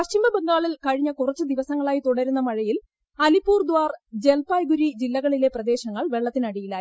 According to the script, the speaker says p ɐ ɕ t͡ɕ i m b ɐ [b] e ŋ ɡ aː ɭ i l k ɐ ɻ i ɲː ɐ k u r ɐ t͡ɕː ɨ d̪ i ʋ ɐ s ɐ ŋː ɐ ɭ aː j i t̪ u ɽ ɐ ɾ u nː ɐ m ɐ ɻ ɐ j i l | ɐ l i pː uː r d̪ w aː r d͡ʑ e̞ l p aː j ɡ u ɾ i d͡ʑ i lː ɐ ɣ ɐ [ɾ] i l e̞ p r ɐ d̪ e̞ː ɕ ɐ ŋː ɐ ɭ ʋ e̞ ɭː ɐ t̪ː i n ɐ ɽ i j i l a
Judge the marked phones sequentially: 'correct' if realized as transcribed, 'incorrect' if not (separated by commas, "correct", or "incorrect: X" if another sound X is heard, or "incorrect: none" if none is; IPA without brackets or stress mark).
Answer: correct, incorrect: ɭ